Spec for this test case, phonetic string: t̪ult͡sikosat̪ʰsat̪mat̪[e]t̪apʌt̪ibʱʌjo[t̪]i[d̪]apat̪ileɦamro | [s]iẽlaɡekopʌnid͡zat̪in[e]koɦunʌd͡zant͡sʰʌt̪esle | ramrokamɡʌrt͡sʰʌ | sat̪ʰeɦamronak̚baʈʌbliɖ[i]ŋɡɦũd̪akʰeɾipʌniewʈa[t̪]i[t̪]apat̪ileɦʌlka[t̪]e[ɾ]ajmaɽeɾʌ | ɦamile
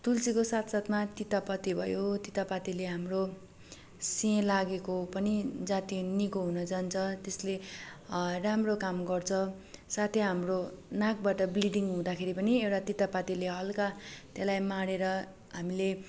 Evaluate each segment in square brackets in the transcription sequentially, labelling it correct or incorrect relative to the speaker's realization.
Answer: incorrect: i, correct, incorrect: t̪, correct, incorrect: i, correct, correct, correct, correct, incorrect: l

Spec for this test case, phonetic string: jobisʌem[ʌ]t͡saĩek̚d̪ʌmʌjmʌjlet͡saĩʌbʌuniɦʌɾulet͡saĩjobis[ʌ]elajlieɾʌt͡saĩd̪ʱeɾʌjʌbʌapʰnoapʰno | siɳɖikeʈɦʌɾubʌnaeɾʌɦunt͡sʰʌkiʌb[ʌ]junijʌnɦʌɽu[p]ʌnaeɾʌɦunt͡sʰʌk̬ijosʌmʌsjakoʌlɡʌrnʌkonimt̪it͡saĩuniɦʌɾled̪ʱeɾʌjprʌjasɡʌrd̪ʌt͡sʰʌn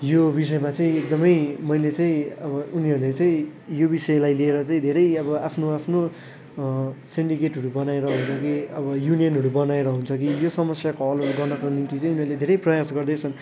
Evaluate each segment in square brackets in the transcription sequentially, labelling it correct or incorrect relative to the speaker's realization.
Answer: incorrect: a, correct, correct, incorrect: b

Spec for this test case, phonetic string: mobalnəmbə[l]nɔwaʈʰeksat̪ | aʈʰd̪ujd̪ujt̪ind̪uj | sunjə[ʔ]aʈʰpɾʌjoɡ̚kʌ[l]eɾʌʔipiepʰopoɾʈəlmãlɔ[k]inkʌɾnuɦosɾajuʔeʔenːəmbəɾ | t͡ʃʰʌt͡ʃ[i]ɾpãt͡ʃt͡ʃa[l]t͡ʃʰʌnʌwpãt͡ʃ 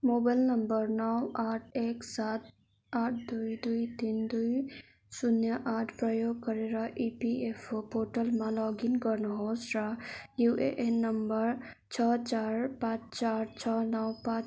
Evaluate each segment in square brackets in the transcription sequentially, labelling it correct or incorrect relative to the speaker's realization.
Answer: incorrect: ɾ, correct, incorrect: ɾ, incorrect: ɡ, incorrect: a, incorrect: ɾ

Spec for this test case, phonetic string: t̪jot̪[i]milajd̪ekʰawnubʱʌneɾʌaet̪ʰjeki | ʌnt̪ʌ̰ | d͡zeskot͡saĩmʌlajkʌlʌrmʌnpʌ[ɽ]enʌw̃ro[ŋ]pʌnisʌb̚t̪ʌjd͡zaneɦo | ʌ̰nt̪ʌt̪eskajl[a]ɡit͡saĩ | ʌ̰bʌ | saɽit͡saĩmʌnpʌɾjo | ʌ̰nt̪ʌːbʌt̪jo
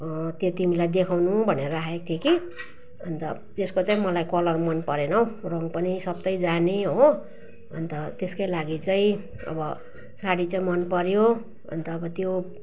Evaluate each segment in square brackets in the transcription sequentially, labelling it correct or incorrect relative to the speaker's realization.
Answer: correct, incorrect: ɾ, correct, correct

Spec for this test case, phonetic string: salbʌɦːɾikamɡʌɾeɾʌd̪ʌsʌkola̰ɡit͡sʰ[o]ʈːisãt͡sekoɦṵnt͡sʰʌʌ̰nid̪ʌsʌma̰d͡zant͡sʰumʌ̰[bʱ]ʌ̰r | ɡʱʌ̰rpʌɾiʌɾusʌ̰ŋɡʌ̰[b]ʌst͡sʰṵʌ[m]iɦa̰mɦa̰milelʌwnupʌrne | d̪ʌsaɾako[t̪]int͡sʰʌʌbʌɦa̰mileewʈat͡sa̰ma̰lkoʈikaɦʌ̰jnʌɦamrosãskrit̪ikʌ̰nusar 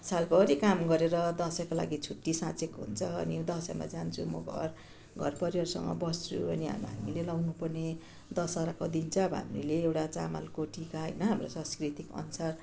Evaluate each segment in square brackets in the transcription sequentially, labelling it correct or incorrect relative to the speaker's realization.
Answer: incorrect: u, incorrect: ɡʱ, correct, incorrect: n, incorrect: d̪

